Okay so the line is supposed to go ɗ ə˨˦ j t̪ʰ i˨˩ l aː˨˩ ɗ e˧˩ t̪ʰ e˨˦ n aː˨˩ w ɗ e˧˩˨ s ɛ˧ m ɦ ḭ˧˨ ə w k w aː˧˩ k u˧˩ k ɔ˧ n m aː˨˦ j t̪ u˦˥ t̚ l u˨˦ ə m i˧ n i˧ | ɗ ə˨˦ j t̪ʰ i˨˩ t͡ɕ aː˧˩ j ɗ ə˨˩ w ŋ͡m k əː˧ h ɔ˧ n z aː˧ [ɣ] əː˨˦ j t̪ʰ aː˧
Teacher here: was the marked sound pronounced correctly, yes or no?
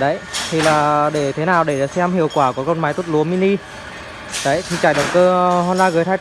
yes